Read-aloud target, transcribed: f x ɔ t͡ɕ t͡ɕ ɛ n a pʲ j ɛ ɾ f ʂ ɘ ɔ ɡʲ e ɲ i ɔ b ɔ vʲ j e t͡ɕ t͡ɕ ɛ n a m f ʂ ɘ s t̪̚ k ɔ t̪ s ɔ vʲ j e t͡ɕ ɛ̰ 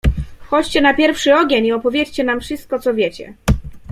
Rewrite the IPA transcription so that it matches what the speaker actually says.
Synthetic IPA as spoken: f x ɔ t͡ɕ t͡ɕ ɛ n a pʲ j ɛ ɾ f ʂ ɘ ɔ ɡʲ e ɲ i ɔ p ɔ vʲ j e t͡ɕ t͡ɕ ɛ n a m f ʂ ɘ s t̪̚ k ɔ t̪ s ɔ vʲ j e t͡ɕ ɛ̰